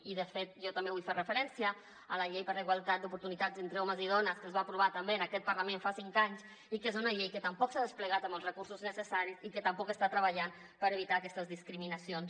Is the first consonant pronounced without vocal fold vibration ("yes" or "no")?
no